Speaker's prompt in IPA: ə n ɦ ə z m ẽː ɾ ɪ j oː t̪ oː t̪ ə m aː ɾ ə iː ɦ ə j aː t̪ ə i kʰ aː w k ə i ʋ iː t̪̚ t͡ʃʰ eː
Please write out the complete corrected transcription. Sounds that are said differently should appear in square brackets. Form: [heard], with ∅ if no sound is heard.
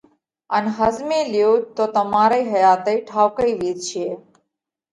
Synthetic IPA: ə n ɦ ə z m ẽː [l] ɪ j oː t̪ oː t̪ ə m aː ɾ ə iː ɦ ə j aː t̪ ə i [ʈʰ] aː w k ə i ʋ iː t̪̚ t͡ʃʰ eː